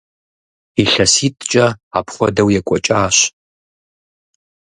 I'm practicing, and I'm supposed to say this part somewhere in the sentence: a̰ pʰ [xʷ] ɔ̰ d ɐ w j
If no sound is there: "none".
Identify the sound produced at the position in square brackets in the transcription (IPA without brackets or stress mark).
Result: χʷ